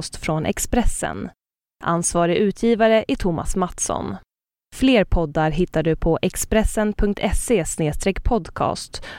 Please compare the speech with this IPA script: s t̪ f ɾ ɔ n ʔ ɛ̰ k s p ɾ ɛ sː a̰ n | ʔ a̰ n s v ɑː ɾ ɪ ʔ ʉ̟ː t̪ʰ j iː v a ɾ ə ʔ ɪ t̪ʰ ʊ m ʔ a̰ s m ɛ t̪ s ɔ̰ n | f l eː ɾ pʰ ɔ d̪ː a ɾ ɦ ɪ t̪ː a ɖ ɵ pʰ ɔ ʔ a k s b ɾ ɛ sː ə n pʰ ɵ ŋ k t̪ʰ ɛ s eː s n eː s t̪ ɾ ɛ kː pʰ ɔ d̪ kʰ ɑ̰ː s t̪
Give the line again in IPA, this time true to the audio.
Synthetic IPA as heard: s t̪ f ɾ ɔ n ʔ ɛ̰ k s p ɾ ɛ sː ə̰ n | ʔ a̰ n s v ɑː ɾ ɪ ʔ ʉ̟ː t̪ʰ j iː v a ɾ ə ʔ ɪ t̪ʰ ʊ m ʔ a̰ s m a t̪ s ɔ̰ n | f l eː ɾ pʰ ɔ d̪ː a ɾ ɦ ɪ t̪ː a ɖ ɵ pʰ ɔ ʔ ɛ k s p ɾ ɛ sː ə n pʰ ɵ ŋ k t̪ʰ ɛ s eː s n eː s t̪ ɾ ɛ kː pʰ ɔ d̪ kʰ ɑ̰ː s t̪